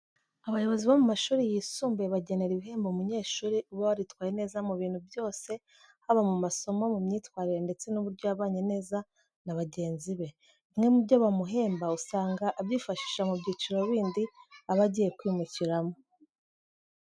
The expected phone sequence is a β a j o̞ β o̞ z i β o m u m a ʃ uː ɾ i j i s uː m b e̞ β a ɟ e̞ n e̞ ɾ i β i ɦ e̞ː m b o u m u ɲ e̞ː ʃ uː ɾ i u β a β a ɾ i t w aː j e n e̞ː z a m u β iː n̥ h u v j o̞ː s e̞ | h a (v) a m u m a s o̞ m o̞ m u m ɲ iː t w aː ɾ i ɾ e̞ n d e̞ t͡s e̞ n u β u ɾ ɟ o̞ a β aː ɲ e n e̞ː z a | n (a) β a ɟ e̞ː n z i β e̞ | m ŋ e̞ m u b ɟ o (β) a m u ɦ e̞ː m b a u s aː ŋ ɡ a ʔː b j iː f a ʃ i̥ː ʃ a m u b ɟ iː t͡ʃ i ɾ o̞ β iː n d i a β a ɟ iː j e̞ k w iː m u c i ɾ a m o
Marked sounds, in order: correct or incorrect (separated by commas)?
incorrect, correct, correct